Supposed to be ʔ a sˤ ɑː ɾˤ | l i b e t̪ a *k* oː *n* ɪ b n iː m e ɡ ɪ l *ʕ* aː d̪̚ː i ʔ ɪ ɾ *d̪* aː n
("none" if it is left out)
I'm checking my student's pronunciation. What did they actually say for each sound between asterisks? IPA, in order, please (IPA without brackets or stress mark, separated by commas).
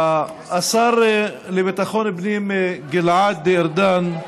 x, n, ʕ, d̪